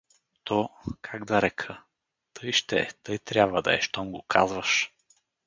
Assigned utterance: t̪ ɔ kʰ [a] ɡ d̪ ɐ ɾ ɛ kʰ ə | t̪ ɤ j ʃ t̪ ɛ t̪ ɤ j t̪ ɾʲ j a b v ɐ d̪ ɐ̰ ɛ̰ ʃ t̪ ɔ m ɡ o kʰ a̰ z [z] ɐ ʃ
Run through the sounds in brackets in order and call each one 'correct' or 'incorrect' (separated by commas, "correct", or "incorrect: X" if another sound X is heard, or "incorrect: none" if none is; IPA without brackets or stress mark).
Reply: correct, incorrect: v